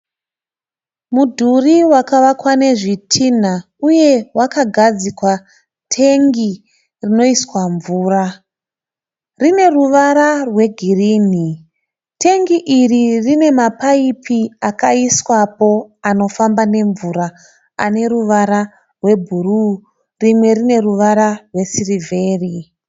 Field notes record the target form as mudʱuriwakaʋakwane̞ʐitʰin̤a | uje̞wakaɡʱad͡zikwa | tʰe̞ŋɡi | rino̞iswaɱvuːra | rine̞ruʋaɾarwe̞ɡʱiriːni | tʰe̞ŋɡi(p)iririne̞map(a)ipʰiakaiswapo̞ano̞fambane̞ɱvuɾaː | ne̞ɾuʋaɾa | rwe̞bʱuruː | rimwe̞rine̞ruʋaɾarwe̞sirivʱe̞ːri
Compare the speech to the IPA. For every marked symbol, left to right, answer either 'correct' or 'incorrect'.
incorrect: ʔ, correct

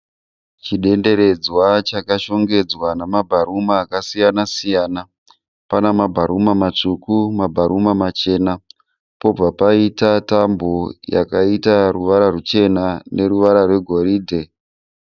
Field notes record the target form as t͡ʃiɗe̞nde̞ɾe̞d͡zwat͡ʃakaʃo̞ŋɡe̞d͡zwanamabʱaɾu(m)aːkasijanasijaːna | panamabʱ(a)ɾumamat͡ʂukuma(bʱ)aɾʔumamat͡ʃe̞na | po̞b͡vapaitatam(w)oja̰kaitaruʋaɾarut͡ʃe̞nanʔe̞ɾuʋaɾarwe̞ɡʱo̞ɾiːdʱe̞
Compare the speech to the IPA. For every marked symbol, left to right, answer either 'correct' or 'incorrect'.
correct, correct, correct, incorrect: b

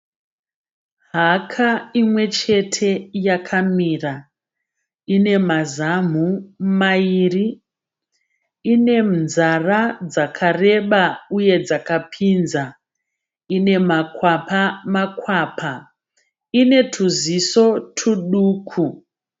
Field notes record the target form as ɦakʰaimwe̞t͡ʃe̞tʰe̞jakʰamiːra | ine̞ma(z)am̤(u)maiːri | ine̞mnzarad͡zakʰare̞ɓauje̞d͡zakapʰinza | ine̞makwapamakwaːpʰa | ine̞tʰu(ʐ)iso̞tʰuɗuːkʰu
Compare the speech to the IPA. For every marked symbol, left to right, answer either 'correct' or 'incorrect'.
correct, correct, incorrect: z

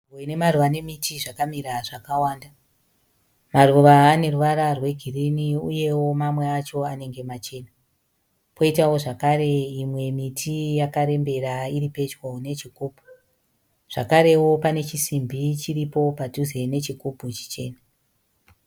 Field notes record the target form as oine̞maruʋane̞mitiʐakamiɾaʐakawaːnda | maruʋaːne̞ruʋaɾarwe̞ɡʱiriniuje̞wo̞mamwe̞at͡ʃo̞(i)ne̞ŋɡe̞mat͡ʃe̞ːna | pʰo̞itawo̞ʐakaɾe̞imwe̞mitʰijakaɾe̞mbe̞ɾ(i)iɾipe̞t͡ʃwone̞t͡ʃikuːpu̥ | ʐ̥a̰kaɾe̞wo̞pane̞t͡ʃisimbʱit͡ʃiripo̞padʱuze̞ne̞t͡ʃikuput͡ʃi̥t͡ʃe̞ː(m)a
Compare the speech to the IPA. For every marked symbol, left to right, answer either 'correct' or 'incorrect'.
incorrect: a, incorrect: a, incorrect: n

